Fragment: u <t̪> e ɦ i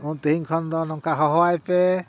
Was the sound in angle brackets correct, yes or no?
yes